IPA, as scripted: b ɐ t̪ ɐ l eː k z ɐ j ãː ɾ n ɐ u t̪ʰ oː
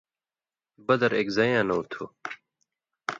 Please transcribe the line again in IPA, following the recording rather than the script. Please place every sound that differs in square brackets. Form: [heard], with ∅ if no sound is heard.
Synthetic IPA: b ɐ [d̪] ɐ [ɾ] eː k z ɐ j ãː [∅] n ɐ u t̪ʰ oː

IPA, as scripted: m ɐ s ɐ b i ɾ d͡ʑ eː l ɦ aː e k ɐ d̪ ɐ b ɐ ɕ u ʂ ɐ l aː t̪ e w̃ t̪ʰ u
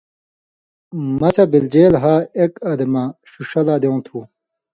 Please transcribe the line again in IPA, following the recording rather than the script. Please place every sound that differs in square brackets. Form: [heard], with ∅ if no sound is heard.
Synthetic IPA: m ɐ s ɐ b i [l] d͡ʑ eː l ɦ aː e k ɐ d̪ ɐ [m] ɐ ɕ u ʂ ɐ l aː [d̪] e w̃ t̪ʰ u

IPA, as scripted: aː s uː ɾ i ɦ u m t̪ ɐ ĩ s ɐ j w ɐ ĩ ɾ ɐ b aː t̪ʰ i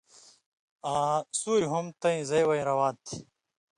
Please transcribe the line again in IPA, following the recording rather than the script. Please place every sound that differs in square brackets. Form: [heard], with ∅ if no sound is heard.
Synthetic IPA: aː s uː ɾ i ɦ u m t̪ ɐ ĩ [z] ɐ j w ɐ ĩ ɾ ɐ [w] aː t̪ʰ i

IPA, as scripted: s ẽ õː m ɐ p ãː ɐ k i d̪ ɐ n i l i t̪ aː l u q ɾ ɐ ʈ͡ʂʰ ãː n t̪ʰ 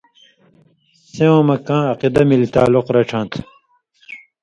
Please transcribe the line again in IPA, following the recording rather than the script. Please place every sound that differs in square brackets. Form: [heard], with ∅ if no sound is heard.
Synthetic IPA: s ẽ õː m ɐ [k] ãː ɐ [q] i d̪ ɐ [m] i l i t̪ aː l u q ɾ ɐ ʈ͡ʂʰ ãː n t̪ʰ

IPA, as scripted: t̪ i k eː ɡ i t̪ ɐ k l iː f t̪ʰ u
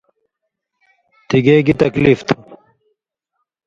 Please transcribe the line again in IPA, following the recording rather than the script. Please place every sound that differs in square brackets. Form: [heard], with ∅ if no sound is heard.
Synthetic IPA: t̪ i [ɡ] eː ɡ i t̪ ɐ k l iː f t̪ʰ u

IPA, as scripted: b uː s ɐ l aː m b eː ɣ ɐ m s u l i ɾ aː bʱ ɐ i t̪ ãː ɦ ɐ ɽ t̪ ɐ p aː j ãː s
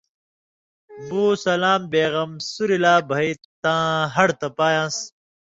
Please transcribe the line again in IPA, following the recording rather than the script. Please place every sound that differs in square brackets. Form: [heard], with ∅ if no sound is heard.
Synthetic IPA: b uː s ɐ l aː m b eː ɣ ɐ m s u [ɾ] i [l] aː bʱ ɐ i t̪ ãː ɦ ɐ ɽ t̪ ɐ p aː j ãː s

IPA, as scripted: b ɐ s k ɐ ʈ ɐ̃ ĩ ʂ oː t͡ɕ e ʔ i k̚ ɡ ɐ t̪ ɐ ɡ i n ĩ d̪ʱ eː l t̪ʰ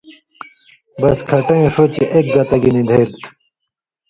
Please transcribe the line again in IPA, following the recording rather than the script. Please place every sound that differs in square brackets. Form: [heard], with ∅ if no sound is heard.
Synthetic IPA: b ɐ s [kʰ] ɐ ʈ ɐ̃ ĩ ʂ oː t͡ɕ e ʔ [e] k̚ ɡ ɐ t̪ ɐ ɡ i n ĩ d̪ʱ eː [ɾ] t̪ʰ

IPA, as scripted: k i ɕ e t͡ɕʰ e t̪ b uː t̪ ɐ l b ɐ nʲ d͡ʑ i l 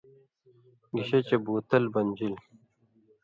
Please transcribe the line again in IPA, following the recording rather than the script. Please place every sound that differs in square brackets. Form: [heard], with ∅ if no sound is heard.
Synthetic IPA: [ɡ] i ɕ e [t͡ɕ] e [∅] b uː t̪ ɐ l b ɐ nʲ d͡ʑ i l

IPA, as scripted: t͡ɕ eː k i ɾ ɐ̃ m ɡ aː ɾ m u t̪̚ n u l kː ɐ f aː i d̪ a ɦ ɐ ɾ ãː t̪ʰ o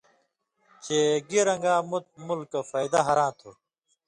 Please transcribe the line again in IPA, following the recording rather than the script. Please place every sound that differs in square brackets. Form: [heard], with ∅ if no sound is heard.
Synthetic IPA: t͡ɕ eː [ɡ] i ɾ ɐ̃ [ŋ] ɡ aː [∅] m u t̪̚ [m] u l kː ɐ f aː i d̪ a ɦ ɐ ɾ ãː t̪ʰ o

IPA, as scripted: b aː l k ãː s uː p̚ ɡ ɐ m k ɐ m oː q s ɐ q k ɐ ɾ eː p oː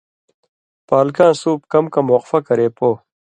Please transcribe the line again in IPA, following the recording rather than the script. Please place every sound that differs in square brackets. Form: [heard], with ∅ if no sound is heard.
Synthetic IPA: [p] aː l k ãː s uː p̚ [k] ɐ m k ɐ m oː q [f] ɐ [∅] k ɐ ɾ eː p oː

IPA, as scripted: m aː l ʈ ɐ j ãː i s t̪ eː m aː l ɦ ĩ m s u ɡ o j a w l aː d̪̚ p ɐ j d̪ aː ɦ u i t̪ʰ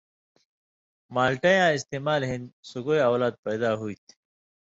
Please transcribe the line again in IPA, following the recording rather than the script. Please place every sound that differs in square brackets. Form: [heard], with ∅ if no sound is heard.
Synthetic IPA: m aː l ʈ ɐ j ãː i s t̪ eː m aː l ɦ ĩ [n] s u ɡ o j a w l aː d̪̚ p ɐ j d̪ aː ɦ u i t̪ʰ

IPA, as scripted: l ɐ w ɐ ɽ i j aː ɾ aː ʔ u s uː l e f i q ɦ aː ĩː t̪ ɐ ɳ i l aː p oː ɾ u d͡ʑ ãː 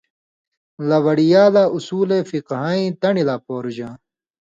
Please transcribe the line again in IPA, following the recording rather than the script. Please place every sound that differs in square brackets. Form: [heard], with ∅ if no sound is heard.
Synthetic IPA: l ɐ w ɐ ɽ i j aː [l] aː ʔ u s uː l e f i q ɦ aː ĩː t̪ ɐ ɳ i l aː p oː ɾ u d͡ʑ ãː

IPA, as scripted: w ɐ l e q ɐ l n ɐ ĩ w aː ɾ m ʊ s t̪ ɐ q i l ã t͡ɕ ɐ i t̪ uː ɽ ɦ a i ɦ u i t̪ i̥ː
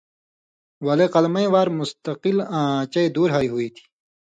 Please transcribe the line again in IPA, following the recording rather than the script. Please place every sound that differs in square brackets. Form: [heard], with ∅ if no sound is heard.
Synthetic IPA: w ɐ l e q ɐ l [m] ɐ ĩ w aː ɾ m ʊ s t̪ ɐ q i l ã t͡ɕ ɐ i [d̪] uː [ɾ] ɦ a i ɦ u i [t̪ʰ] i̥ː

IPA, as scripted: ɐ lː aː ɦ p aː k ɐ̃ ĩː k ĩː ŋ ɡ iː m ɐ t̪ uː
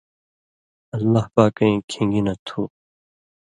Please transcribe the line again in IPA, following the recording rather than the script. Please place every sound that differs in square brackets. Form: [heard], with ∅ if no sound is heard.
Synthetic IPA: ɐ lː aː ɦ p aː k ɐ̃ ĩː [kʰ] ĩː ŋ ɡ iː [n] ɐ [t̪ʰ] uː

